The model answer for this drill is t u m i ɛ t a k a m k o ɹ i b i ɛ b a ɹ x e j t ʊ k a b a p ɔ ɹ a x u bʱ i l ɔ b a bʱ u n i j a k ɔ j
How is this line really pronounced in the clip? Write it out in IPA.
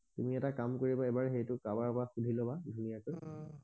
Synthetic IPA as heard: t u m i ɛ t a k a m k o ɹ i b a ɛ b a ɹ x e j t ʊ k a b a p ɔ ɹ a x u dʱ i l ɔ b a dʱ u n i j a k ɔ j